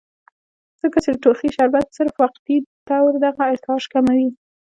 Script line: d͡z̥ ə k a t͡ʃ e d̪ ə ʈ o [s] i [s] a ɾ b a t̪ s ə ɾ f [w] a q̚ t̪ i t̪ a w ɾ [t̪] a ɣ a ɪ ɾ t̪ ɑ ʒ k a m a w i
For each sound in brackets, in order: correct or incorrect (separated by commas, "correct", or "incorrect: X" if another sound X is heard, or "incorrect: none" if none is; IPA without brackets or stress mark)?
incorrect: x, incorrect: ʃ, correct, incorrect: d̪